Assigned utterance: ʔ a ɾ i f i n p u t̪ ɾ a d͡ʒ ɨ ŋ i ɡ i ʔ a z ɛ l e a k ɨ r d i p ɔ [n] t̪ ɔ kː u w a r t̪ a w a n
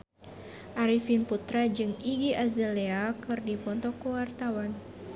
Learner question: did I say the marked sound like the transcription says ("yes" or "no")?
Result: yes